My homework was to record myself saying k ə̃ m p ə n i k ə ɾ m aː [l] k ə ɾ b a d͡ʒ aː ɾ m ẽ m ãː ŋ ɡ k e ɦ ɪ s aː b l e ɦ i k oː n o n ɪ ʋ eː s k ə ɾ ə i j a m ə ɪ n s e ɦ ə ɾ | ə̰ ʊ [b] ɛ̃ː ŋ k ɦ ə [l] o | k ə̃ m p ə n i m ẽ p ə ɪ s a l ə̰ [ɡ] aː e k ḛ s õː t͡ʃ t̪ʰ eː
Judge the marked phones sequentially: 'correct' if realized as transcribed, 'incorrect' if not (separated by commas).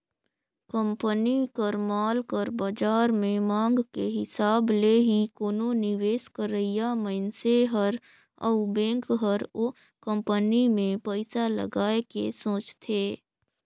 correct, correct, incorrect, correct